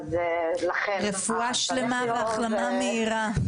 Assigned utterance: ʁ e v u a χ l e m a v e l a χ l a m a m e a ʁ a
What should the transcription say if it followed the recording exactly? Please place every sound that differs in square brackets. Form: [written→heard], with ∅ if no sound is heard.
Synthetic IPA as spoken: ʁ e [v→f] u a [χ→ʃ] l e m a v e [l→∅] a χ l a m a m e [a→i] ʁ a

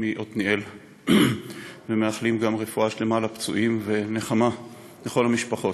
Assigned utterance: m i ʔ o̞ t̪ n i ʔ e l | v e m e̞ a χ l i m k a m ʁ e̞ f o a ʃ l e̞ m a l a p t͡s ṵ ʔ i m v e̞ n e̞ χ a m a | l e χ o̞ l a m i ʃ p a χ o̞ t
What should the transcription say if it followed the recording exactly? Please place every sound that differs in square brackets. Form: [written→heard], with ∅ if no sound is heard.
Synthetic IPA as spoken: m i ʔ o̞ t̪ n i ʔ e l | v e m e̞ a χ l i m [k→ɡ] a m ʁ e̞ f [o→u] a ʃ l e̞ m a l a p t͡s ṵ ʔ i m v e̞ n e̞ χ a m a | l e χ o̞ l a m i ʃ p a χ o̞ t

